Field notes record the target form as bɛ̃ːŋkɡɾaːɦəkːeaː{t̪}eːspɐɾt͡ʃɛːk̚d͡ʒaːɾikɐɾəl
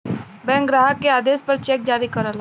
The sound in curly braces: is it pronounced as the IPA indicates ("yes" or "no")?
no